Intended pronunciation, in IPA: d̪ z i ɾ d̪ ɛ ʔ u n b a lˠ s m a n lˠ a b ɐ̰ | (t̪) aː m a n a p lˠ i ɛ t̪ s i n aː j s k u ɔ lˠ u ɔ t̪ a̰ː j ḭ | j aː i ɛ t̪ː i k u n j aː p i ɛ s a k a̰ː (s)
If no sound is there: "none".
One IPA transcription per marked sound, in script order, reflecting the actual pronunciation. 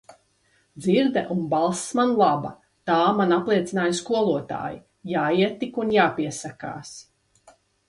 t̪, s

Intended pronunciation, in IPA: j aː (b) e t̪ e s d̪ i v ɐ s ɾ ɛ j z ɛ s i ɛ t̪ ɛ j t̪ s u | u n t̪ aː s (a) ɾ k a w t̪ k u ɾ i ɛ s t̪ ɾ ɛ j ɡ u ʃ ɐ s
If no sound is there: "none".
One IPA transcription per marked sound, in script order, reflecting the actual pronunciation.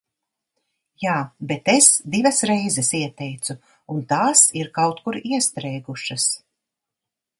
b, i

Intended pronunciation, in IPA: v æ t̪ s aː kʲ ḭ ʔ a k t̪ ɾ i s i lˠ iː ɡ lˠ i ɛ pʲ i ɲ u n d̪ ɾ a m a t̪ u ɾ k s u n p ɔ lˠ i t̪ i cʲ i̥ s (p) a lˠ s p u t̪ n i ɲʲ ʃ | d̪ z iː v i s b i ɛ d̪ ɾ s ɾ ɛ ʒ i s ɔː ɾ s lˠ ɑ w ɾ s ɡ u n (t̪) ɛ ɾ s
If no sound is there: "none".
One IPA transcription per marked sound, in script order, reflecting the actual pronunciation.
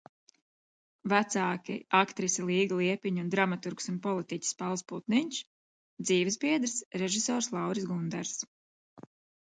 p, d̪

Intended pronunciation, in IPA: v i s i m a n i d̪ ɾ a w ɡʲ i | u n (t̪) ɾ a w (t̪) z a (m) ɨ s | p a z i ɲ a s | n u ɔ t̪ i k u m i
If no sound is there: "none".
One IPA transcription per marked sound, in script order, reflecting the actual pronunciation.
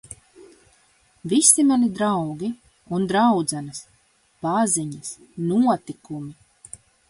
d̪, d̪, n

